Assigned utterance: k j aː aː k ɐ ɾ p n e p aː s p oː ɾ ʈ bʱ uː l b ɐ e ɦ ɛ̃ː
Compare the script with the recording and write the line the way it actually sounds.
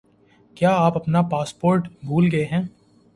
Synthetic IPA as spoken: k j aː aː p ɐ p n a p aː s p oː ɾ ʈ bʱ uː l ɡ ɐ e ɦ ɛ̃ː